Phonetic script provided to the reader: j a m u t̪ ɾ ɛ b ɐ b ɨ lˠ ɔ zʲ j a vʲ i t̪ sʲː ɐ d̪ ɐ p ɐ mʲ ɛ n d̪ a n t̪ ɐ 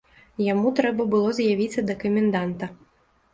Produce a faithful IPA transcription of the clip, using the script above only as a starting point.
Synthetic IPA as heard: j a m u t̪ ɾ ɛ b ɐ b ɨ lˠ ɔ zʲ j a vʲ i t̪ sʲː ɐ d̪ ɐ k ɐ mʲ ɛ n d̪ a n t̪ ɐ